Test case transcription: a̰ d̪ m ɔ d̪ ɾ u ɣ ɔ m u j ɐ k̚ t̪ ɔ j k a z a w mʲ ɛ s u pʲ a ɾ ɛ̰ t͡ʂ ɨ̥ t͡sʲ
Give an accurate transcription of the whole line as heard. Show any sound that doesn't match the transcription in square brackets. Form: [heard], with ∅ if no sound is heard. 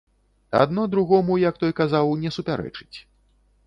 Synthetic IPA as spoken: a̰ d̪ [n] ɔ d̪ ɾ u ɣ ɔ m u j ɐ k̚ t̪ ɔ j k a z a w [nʲ] ɛ s u pʲ a ɾ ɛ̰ t͡ʂ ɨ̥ t͡sʲ

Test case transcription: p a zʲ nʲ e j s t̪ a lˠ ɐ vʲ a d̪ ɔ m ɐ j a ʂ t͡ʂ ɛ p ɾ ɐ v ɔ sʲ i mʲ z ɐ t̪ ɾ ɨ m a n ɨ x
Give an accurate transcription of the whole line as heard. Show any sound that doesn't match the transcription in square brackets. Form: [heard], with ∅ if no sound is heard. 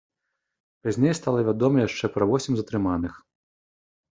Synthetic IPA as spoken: p a zʲ nʲ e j s t̪ a lˠ ɐ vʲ a d̪ ɔ m ɐ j a ʂ t͡ʂ ɛ p ɾ ɐ v ɔ sʲ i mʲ z ɐ t̪ ɾ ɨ m a n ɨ x

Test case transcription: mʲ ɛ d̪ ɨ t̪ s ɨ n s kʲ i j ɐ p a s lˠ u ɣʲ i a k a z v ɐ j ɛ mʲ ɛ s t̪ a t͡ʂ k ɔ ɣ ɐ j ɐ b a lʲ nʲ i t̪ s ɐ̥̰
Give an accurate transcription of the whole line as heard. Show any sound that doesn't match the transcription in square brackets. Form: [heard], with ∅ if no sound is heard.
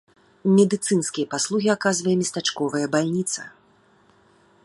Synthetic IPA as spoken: mʲ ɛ d̪ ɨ t̪ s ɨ n s kʲ i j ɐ p a s lˠ u ɣʲ i a k a z v ɐ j ɛ mʲ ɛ s t̪ a t͡ʂ k ɔ [v] ɐ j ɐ b a lʲ nʲ i t̪ s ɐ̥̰

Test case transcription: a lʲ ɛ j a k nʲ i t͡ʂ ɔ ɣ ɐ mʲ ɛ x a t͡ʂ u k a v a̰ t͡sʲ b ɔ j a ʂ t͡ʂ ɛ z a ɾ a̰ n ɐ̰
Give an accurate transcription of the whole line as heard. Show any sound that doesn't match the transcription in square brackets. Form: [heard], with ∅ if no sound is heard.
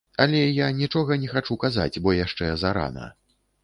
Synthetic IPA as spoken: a lʲ ɛ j a [∅] nʲ i t͡ʂ ɔ ɣ ɐ [nʲ] ɛ x a t͡ʂ u k a [z] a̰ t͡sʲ b ɔ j a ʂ t͡ʂ ɛ z a ɾ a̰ n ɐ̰

